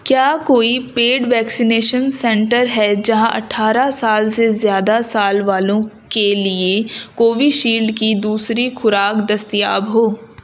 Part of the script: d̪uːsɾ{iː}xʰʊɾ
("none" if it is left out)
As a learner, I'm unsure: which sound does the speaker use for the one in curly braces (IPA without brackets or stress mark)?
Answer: i